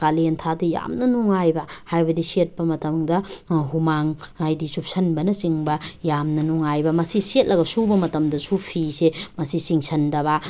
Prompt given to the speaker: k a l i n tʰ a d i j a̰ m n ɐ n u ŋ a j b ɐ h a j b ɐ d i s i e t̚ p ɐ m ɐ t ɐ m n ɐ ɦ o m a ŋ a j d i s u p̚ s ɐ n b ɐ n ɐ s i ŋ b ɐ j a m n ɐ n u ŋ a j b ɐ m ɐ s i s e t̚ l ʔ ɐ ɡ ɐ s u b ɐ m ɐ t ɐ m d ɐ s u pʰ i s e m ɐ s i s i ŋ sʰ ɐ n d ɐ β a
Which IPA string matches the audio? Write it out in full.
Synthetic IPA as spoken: k a l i n tʰ a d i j a̰ m n ɐ n u ŋ a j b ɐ h a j b ɐ d i s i e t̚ p ɐ m ɐ t ɐ m d ɐ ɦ u m a ŋ a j d i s u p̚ s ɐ n b ɐ n ɐ s i ŋ b ɐ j a m n ɐ n u ŋ a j b ɐ m ɐ s i s e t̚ l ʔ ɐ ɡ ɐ s u b ɐ m ɐ t ɐ m d ɐ s u pʰ i s e m ɐ s i s i ŋ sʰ ɐ n d ɐ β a